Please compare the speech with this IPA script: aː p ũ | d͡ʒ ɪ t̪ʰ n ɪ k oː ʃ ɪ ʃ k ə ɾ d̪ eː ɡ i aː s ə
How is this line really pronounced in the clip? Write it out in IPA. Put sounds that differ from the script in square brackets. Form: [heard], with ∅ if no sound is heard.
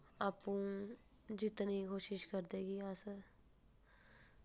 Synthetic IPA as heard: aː p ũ | d͡ʒ ɪ [t̪] n [i] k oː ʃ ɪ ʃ k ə ɾ d̪ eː ɡ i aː s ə